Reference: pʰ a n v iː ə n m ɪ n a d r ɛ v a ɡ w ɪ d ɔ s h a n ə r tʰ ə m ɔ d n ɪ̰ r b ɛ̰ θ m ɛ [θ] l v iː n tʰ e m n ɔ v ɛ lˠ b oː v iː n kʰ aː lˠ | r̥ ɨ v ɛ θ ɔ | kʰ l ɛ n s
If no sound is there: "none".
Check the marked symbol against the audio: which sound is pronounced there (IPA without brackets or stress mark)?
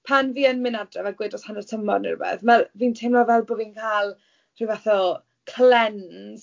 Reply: none